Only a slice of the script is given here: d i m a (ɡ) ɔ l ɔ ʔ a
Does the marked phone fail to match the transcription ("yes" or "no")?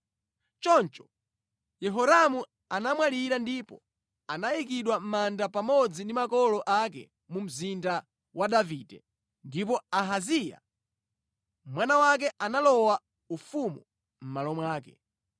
yes